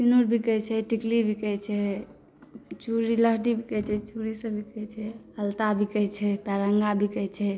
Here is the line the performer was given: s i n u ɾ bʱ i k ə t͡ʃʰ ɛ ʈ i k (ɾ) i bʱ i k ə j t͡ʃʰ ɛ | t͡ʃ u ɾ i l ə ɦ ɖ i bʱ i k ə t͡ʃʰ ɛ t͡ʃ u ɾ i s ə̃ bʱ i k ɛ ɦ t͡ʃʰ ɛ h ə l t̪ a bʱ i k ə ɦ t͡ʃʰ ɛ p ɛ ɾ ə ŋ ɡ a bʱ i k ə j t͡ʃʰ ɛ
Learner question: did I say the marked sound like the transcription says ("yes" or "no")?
no